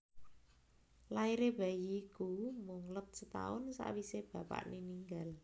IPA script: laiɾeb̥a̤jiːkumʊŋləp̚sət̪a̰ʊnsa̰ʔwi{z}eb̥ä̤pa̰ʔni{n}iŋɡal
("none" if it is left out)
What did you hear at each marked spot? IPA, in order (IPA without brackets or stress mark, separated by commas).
s, n